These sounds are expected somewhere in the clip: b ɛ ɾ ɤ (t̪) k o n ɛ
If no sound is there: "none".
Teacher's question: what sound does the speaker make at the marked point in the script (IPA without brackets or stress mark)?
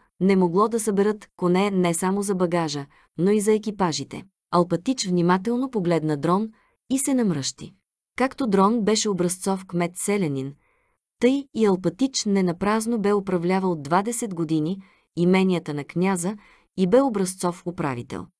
t̪